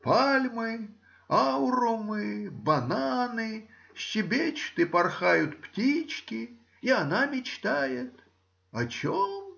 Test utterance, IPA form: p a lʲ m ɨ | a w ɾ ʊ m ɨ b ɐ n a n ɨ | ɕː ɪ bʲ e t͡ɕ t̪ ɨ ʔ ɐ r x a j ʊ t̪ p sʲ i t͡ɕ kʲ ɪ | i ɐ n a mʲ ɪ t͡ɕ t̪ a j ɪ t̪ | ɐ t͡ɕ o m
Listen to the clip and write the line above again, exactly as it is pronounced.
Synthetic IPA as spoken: p a lʲ m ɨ | a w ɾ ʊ m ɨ b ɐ n a n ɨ | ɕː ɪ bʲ e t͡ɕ t̪ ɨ p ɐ r x a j ʊ t̪ p tʲ i t͡ɕ kʲ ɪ | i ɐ n a mʲ ɪ t͡ɕ t̪ a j ɪ t̪ | ɐ t͡ɕ o m